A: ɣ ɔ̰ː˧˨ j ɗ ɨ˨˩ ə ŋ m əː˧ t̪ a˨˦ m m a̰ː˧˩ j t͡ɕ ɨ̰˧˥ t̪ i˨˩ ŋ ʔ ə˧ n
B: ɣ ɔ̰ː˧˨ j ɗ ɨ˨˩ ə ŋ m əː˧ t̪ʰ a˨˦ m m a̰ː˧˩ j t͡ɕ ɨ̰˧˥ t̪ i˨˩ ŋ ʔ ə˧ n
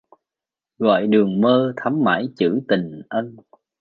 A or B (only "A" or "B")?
B